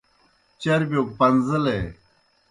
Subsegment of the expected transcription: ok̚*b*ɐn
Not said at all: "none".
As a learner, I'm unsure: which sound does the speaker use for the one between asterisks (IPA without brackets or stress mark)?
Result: p